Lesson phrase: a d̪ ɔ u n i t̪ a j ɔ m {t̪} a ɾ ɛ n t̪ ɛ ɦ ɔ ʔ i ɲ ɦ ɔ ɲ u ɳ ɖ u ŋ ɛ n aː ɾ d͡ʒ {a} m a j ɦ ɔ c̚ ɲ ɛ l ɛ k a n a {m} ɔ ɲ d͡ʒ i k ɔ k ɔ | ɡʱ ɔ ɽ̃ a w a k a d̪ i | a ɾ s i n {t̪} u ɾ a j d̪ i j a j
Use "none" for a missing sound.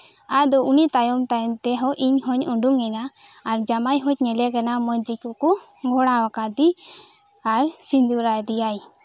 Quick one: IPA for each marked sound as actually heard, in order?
t̪, a, m, d̪

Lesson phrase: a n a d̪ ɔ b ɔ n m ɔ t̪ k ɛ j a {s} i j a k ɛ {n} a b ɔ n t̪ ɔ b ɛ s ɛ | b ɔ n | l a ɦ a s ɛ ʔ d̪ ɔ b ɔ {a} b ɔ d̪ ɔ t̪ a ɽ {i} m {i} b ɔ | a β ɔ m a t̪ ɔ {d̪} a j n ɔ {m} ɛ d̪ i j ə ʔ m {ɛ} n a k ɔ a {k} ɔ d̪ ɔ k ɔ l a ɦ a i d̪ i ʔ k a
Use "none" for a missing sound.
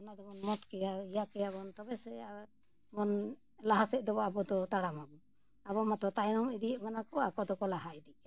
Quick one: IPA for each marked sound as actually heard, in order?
none, none, a, a, a, t̪, m, a, k

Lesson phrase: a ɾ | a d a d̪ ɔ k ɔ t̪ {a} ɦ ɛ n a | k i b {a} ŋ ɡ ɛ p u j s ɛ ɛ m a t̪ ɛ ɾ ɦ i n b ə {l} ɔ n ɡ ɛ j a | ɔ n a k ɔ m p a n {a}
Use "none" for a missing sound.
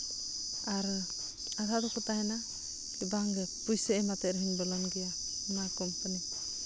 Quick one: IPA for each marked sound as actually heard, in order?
a, a, l, i

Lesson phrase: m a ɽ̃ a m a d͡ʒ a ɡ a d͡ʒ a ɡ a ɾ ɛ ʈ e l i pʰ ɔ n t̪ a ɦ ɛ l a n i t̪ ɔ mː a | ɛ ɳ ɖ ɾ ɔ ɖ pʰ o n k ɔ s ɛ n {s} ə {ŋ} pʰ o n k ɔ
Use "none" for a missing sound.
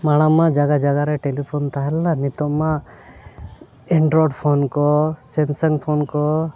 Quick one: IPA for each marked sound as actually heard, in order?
s, ŋ

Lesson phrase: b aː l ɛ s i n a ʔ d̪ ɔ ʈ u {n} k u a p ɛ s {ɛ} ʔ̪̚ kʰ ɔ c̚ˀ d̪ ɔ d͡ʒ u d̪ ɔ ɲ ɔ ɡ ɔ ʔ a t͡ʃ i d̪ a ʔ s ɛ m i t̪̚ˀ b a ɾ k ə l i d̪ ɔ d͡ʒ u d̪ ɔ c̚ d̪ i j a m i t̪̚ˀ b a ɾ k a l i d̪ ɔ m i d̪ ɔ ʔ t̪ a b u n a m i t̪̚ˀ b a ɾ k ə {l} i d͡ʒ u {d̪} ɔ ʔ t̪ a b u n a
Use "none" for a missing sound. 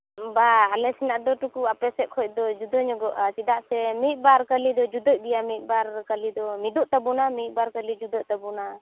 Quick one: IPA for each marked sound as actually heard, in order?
none, ɛ, l, d̪

